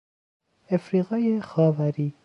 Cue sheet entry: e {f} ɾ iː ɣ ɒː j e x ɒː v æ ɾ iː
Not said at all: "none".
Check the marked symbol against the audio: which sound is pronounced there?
f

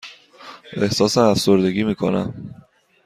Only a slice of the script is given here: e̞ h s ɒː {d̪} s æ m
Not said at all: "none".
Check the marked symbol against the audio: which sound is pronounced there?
none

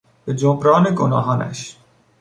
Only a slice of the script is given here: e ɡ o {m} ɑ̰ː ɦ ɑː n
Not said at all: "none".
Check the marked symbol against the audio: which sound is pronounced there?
n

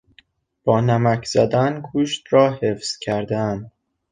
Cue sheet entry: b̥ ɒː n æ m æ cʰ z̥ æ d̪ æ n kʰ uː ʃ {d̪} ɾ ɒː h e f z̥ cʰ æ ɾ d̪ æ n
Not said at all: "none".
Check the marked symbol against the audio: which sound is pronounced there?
t̪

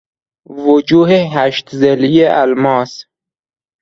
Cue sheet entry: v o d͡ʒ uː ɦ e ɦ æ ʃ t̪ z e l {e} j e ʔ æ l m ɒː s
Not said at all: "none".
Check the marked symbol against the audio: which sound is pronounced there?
i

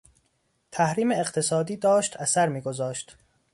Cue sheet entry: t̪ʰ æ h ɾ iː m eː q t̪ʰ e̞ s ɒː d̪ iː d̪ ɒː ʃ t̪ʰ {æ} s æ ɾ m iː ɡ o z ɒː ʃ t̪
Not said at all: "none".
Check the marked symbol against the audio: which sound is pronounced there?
æ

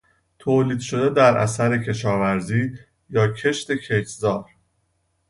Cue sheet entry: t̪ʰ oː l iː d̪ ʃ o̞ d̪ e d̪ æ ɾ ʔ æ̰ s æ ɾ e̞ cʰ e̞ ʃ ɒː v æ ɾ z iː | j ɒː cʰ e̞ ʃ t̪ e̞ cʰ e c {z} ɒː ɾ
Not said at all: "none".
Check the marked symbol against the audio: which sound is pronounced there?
z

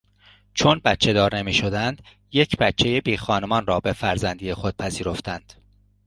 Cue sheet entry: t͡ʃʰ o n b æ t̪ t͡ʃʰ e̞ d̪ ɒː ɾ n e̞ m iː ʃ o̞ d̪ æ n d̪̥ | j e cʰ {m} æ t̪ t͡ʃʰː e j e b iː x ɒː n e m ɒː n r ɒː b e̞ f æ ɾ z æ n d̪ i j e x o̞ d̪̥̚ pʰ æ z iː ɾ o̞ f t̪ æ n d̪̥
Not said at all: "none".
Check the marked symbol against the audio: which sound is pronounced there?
b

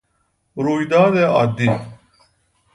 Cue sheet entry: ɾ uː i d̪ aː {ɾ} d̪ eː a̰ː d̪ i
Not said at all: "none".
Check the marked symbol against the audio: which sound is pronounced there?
none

